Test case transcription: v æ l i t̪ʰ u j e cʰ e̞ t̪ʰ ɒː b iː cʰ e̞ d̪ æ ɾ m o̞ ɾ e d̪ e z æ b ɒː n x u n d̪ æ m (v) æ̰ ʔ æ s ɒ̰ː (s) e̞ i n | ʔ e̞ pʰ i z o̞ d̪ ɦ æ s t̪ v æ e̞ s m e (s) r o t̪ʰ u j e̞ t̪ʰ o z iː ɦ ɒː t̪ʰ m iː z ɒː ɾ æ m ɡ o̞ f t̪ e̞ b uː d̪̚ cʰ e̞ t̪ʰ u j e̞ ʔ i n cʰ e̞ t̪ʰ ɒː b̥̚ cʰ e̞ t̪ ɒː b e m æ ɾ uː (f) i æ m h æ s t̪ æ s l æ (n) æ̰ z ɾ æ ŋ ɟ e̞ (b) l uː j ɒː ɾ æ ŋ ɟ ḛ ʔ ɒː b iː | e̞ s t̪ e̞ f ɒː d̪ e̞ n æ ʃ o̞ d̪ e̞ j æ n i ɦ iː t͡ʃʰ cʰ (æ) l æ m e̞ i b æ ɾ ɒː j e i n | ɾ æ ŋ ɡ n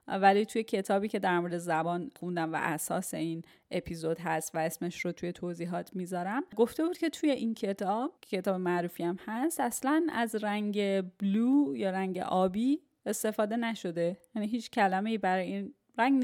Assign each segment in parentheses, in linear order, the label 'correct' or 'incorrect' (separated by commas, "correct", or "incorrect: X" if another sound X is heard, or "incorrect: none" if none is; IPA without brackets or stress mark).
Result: correct, correct, incorrect: ʃ, correct, correct, correct, correct